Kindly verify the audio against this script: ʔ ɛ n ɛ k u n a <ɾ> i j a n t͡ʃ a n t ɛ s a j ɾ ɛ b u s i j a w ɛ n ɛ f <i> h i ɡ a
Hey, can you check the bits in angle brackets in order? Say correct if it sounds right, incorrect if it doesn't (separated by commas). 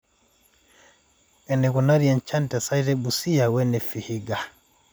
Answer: correct, correct